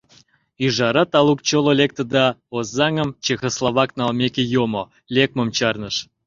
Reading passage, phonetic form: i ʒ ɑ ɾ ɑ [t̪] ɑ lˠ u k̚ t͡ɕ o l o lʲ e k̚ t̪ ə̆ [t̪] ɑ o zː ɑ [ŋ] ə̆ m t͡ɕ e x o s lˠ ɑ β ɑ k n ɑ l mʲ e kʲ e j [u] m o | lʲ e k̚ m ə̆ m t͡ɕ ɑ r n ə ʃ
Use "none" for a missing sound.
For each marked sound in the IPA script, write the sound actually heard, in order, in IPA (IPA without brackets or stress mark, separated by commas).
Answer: t̪, d̪, ŋ, o